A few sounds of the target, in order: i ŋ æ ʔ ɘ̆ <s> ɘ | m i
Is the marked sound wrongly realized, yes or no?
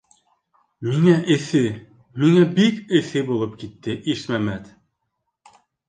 yes